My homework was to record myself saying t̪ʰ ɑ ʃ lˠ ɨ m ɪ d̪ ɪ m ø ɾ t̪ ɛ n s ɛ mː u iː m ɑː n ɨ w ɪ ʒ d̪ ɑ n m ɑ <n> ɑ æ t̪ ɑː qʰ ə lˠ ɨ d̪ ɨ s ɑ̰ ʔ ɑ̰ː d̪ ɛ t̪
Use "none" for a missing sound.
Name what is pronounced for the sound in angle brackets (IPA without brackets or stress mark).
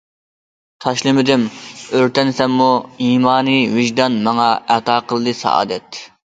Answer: ŋ